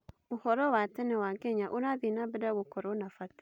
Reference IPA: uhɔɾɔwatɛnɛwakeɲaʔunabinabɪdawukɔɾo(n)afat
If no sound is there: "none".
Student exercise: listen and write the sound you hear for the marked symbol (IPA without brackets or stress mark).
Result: n